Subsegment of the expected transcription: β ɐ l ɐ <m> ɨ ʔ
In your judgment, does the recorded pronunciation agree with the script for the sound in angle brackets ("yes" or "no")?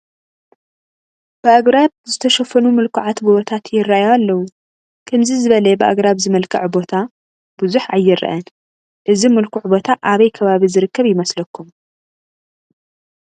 no